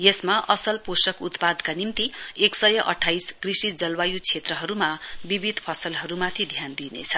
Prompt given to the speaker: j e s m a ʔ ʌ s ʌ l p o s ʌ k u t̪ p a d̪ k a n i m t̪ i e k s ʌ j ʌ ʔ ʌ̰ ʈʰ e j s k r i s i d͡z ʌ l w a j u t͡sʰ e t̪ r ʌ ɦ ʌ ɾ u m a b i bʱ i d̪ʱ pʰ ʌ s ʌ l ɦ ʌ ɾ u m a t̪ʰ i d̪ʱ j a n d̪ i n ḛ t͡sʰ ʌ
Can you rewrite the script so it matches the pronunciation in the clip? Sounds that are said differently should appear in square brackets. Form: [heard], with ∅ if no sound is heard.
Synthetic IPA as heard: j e s m a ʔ ʌ s ʌ l p o s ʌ k u t̪ p a d̪ k a n i m t̪ i e k s ʌ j ʌ ʔ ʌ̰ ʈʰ [a] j s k r i s i d͡z ʌ l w a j u t͡sʰ e t̪ r ʌ ɦ ʌ ɾ u m a b i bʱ i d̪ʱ pʰ ʌ s ʌ l ɦ ʌ ɾ u m a t̪ʰ i d̪ʱ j a n d̪ i n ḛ t͡sʰ ʌ